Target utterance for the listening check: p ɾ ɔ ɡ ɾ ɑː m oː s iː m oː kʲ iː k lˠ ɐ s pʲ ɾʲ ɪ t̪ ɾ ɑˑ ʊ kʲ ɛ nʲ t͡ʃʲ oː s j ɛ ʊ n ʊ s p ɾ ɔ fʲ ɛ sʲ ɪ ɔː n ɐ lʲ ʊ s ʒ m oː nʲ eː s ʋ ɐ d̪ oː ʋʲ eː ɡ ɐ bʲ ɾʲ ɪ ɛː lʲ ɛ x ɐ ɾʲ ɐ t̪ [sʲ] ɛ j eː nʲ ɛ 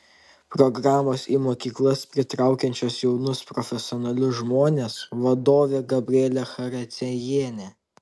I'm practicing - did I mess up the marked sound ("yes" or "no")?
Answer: no